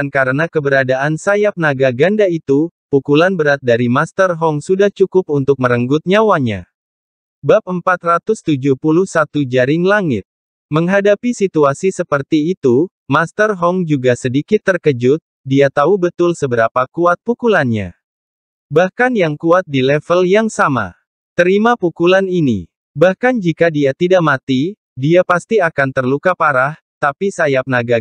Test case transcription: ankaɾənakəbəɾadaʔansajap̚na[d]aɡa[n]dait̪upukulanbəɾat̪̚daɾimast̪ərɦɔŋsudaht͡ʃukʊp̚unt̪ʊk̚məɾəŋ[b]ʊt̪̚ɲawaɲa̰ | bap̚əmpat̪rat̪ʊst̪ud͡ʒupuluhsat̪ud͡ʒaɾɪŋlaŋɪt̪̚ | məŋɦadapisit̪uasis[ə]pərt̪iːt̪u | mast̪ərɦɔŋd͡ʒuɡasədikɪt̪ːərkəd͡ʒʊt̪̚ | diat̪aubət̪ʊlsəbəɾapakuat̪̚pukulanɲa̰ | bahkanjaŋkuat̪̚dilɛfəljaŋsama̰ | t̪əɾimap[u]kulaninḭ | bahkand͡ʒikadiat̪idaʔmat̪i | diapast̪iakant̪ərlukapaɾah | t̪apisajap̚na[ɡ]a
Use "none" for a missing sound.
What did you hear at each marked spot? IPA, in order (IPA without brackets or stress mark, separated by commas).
ɡ, n, ɡ, ə, u, ɡ